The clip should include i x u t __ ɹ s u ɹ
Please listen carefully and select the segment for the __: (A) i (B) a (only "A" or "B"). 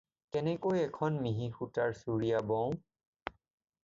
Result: B